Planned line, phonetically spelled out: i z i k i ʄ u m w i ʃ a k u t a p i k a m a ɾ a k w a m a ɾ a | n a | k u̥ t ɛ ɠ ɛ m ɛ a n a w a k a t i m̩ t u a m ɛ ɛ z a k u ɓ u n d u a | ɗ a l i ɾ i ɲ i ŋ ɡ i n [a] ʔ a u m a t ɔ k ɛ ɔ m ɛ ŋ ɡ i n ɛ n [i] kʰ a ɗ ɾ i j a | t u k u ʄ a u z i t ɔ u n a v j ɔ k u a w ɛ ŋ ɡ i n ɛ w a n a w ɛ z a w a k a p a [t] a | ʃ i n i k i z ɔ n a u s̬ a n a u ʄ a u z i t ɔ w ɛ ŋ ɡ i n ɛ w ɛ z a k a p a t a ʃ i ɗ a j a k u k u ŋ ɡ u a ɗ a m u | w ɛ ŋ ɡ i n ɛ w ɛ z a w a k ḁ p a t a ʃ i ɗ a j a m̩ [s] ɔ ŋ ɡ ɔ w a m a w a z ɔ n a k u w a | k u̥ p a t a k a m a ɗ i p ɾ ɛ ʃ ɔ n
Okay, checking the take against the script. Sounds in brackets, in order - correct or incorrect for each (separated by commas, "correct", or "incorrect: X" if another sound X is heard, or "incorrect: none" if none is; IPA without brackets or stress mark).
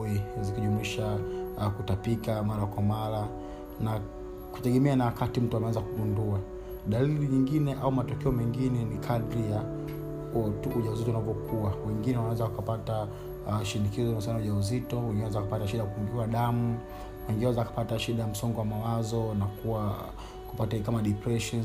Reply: incorrect: ɛ, correct, correct, correct